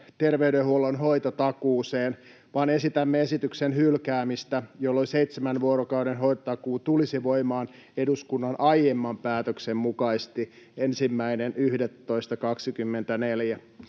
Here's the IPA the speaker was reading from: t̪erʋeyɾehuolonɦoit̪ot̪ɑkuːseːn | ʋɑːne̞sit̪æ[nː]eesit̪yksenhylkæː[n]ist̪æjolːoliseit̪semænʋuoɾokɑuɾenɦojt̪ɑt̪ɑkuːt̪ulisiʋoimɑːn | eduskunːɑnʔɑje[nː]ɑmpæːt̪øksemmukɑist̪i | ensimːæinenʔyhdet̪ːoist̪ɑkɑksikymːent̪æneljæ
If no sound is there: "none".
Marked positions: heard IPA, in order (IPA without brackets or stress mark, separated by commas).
mː, m, mː